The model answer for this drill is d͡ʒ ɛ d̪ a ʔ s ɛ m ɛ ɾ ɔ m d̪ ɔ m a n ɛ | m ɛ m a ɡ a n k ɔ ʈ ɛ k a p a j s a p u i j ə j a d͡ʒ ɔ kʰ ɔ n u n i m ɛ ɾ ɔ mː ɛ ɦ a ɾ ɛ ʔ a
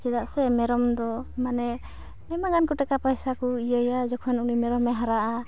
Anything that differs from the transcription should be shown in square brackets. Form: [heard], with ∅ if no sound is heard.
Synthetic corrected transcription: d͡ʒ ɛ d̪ a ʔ s ɛ m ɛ ɾ ɔ m d̪ ɔ m a n ɛ | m ɛ m a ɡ a n k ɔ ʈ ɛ k a p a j s a [k] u i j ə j a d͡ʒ ɔ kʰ ɔ n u n i m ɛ ɾ ɔ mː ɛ ɦ a ɾ [a] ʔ a

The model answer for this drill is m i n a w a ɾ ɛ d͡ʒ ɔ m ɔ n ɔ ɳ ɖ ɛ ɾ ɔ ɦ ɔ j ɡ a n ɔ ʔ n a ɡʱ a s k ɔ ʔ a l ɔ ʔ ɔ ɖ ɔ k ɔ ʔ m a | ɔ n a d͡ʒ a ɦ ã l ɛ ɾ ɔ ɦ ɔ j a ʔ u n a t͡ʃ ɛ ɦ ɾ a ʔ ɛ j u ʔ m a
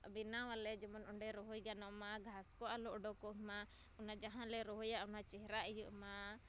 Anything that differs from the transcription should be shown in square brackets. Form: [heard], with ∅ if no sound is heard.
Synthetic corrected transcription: [b] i n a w a [l] ɛ d͡ʒ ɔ m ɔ n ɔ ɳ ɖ ɛ ɾ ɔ ɦ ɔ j ɡ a n ɔ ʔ [m] a ɡʱ a s k ɔ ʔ a l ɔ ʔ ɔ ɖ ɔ k ɔ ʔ m a | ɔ n a d͡ʒ a ɦ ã l ɛ ɾ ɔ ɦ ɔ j a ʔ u n a t͡ʃ ɛ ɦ ɾ a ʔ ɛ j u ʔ m a

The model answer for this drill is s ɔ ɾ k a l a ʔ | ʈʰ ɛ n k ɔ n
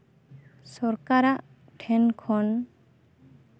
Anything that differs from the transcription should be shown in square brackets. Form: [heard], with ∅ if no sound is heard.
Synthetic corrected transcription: s ɔ ɾ k a [ɾ] a ʔ | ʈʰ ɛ n [kʰ] ɔ n

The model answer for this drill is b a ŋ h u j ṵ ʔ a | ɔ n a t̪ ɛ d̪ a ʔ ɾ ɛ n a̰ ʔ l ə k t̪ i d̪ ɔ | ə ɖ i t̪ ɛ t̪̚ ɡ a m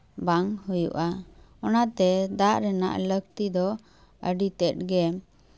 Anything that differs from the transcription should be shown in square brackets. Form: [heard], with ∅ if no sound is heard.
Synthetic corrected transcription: b a ŋ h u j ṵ ʔ a | ɔ n a t̪ ɛ d̪ a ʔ ɾ ɛ n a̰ ʔ l ə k t̪ i d̪ ɔ | ə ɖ i t̪ ɛ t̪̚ ɡ [ɛ] m

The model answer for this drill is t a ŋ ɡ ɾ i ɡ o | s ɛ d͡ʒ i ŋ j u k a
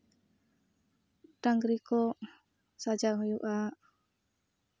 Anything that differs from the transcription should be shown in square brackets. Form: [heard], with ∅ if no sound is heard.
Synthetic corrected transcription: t a ŋ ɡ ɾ i [k] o | s [a] d͡ʒ [a] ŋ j u [ʔ] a

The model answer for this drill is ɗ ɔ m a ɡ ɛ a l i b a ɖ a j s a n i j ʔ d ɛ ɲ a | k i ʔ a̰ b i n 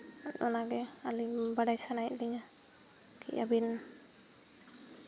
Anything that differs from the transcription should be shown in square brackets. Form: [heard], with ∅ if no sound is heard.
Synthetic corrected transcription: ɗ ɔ [n] a ɡ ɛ a l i b a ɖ a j s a n [a] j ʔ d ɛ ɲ a | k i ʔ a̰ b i n

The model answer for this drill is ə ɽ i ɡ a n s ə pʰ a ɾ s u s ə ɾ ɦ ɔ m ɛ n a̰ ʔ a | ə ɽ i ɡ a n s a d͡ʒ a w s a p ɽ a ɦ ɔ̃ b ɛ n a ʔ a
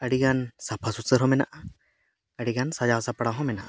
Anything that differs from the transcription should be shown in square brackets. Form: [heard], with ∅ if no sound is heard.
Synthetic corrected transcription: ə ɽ i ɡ a n s [a] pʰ a [∅] s u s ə ɾ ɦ ɔ m ɛ n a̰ ʔ a | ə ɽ i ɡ a n s a d͡ʒ a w s a p ɽ a ɦ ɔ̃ [m] ɛ n a ʔ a

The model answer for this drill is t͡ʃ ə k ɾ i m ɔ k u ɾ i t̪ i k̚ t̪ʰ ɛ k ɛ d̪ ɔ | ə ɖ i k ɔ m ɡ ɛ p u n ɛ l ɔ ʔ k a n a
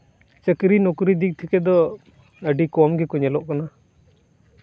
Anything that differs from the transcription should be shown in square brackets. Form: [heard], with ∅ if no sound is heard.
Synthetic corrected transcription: t͡ʃ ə k ɾ i [n] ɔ k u ɾ i [d̪] i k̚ t̪ʰ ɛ k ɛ d̪ ɔ | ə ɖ i k ɔ m ɡ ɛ [k] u [ɲ] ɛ l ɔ ʔ k a n a

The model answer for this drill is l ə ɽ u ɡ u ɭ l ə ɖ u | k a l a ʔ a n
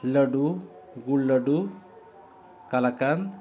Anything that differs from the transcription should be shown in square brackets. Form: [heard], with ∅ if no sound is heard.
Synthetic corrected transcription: l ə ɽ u ɡ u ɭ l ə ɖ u | k a l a [k] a n

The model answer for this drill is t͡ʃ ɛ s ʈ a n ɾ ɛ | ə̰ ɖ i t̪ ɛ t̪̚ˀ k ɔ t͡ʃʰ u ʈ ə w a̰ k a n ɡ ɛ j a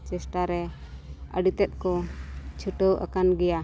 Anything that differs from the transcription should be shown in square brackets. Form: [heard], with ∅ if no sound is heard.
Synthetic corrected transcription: t͡ʃ ɛ s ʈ a [∅] ɾ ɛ | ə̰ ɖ i t̪ ɛ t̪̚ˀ k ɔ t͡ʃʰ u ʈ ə w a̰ k a n ɡ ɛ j a

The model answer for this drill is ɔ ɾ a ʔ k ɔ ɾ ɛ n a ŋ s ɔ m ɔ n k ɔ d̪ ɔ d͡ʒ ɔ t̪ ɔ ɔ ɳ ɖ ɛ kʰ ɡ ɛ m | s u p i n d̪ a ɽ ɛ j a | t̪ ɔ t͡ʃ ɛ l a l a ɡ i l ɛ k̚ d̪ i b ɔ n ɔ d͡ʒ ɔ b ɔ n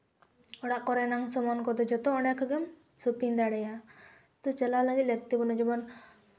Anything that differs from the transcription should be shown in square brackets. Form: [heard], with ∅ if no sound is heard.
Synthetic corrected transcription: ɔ [ɽ] a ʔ k ɔ ɾ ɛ n a ŋ s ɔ m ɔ n k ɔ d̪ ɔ d͡ʒ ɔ t̪ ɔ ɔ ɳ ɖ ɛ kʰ ɡ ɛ m | s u p i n d̪ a ɽ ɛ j a | t̪ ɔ t͡ʃ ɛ l a l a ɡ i l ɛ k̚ [t̪] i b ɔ n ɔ d͡ʒ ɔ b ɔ n

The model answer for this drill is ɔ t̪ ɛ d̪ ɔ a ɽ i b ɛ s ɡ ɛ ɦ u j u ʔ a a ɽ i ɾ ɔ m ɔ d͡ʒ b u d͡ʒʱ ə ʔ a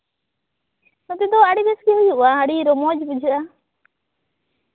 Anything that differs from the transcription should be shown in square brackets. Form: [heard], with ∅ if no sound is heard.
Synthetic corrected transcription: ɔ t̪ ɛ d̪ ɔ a ɽ i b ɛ s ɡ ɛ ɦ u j u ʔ a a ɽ i ɾ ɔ m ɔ d͡ʒ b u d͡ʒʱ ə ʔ a

